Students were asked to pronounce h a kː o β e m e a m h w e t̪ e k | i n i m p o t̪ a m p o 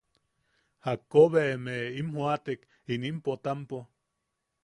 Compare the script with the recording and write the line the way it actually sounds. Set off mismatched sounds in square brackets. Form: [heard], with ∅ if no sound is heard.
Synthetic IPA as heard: h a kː o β e m e [i] m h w [a] t̪ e k | i n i m p o t̪ a m p o

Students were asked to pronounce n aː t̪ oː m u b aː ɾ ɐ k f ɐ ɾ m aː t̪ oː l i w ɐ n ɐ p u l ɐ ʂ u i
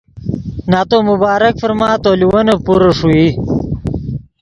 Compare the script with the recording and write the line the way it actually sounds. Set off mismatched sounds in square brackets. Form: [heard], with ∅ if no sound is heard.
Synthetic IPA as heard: n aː t̪ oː m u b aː ɾ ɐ k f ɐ ɾ m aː t̪ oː l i w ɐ n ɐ p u [ɾ] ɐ ʂ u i

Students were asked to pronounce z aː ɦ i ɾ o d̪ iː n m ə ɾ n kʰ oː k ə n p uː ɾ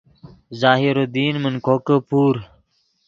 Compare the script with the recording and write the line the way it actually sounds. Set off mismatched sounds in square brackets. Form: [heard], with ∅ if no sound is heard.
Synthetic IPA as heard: z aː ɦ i ɾ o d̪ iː n m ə [∅] n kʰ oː k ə [∅] p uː ɾ

